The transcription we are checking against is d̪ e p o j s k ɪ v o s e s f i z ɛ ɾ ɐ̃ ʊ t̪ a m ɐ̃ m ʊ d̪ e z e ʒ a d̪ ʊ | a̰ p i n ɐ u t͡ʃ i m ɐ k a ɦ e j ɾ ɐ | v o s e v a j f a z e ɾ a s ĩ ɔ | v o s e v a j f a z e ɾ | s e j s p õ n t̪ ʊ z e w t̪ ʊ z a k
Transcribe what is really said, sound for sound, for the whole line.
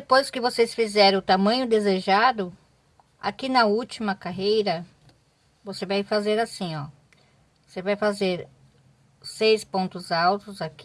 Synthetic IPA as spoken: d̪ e p o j s k ɪ v o s e s f i z ɛ ɾ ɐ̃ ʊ t̪ a m ɐ̃ ɲ ʊ d̪ e z e ʒ a d̪ ʊ | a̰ k i n ɐ u t͡ʃ i m ɐ k a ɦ e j ɾ ɐ | v o s e v a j f a z e ɾ a s ĩ ɔ | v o s e v a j f a z e ɾ | s e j s p õ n t̪ ʊ z a w t̪ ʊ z a k